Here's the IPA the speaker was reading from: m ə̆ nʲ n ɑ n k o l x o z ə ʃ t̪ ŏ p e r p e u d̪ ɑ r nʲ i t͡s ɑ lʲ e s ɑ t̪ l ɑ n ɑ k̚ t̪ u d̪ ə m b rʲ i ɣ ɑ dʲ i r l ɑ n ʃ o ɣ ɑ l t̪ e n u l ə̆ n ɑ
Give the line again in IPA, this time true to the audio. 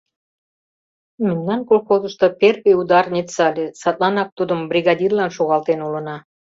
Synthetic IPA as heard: m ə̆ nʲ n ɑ n k o l x o z ə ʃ t̪ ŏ p e r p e u d̪ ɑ r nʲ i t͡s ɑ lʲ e s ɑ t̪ l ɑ n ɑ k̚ t̪ u d̪ ə m b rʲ i ɣ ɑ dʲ i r l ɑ n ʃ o ɣ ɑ l t̪ e n u l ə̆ n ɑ

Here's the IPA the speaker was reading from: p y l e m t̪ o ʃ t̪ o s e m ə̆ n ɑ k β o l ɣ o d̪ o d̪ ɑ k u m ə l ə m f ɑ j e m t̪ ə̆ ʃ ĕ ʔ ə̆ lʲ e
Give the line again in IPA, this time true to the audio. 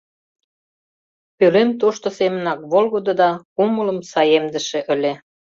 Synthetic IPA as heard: p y l e m t̪ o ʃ t̪ o s e m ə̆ n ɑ k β o l ɣ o d̪ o d̪ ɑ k u m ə l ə m s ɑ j e m d̪ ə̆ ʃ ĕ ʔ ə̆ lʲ e

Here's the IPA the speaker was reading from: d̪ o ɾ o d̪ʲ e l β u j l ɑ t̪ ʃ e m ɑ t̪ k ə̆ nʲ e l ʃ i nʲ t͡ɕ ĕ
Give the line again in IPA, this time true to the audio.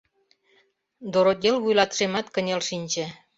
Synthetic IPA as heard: d̪ o ɾ o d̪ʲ e l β u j l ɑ t̪ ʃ e m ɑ t̪ k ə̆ nʲ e l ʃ i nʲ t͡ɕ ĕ

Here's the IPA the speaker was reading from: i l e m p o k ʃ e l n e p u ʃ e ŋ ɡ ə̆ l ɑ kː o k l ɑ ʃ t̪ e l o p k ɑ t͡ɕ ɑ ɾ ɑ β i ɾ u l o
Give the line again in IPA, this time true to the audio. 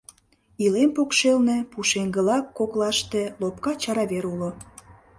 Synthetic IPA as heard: i l e m p o k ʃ e l n e p u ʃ e ŋ ɡ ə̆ l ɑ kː o k l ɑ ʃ t̪ e l o p k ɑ t͡ɕ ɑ ɾ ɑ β e ɾ u l o

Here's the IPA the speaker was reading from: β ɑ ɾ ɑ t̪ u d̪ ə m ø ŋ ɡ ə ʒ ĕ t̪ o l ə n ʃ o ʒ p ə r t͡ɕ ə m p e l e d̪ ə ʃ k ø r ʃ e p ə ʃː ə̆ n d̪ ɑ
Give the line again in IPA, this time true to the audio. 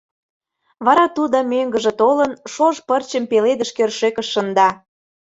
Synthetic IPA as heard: β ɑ ɾ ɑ t̪ u d̪ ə m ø ŋ ɡ ə ʒ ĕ t̪ o l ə n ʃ o ʒ p ə r t͡ɕ ə m p e l e d̪ ə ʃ k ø r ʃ e k ə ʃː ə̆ n d̪ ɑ

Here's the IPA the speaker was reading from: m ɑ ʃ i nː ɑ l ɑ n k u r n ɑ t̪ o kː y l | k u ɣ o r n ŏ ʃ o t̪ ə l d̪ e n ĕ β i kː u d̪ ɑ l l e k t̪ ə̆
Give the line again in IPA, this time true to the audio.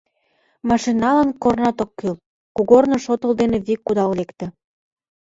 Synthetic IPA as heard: m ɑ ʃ i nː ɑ l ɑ n k o r n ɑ t̪ o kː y l | k u ɣ o r n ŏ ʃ o t̪ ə l d̪ e n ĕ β i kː u d̪ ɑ l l e k t̪ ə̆

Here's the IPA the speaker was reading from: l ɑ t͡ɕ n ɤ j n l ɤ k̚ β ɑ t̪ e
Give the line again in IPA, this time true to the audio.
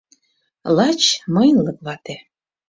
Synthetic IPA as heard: l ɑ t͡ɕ m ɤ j n l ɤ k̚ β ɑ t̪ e

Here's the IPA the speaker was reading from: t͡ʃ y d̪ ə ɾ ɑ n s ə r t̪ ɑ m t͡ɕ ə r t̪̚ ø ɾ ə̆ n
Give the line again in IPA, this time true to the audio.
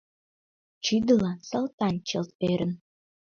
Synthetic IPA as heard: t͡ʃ y d̪ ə l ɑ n s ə l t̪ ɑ n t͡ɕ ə l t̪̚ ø ɾ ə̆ n

